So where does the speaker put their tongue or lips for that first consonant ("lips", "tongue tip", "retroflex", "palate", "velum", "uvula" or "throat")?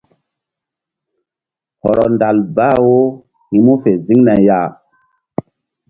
throat